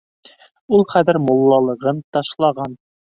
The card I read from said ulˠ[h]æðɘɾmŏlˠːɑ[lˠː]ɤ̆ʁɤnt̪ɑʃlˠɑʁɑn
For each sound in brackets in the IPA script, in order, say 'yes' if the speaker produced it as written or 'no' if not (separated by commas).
no, no